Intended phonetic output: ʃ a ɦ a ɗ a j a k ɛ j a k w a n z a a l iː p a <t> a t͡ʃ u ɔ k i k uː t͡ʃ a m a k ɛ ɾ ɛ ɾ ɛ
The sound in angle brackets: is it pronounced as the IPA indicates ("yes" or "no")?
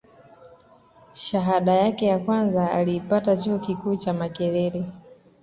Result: yes